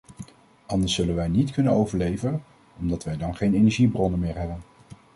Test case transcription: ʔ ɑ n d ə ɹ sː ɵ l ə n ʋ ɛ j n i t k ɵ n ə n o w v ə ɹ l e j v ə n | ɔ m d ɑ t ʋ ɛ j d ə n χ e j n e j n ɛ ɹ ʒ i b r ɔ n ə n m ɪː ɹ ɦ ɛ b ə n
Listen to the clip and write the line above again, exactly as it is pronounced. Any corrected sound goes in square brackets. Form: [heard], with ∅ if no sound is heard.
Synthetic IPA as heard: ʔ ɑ n d ə ɹ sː ɵ l ə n ʋ ɛ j n i t k ɵ n ə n o w v ə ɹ l e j v ə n | ɔ m d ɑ t ʋ ɛ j d [ɑ] n χ e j n e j n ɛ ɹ ʒ i b r ɔ n ə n m ɪː ɹ ɦ ɛ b ə n